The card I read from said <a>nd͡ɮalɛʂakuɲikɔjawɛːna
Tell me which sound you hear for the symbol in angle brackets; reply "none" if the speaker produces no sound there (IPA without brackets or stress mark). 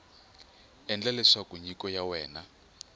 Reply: ɛ